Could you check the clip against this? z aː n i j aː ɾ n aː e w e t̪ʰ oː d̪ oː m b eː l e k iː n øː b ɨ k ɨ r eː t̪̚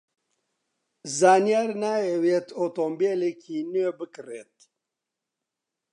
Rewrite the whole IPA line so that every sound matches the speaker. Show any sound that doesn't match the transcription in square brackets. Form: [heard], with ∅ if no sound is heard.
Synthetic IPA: z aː n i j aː ɾ n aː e w e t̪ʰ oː [t̪] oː m b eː l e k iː n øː b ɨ k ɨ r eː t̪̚